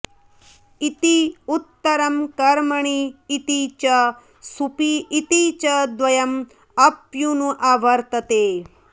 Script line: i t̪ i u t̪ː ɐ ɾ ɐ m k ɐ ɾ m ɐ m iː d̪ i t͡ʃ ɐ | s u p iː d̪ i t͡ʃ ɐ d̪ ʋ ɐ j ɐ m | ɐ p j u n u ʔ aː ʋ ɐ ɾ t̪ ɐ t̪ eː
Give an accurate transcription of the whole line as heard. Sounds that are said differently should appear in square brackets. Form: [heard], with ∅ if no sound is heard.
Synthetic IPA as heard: i t̪ i u t̪ː ɐ ɾ ɐ m k ɐ ɾ m ɐ [ɳ] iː [t̪] i t͡ʃ ɐ | s u p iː [t̪] i t͡ʃ ɐ d̪ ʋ ɐ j ɐ m | ɐ p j u n u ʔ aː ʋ ɐ ɾ t̪ ɐ t̪ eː